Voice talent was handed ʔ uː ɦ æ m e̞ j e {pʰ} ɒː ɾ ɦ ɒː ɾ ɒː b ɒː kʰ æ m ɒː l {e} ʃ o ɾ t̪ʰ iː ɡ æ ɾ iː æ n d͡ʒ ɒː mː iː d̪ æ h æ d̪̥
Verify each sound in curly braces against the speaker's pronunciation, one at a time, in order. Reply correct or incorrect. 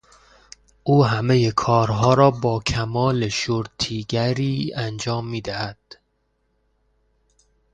incorrect: kʰ, correct

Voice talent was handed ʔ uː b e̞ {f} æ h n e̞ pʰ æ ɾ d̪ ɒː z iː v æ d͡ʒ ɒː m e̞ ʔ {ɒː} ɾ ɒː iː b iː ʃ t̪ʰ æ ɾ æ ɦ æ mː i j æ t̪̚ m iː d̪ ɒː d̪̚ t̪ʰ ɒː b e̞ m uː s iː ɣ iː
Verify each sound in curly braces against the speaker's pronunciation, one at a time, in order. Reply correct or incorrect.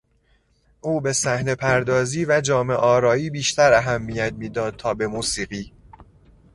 incorrect: s, correct

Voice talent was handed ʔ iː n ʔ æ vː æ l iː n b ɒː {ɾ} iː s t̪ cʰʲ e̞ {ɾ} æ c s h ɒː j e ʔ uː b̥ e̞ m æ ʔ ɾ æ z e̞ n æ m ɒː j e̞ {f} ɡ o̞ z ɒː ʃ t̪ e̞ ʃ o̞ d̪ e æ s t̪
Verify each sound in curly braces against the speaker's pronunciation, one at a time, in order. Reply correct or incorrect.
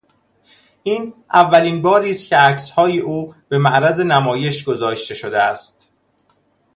correct, incorrect: none, incorrect: ʃ

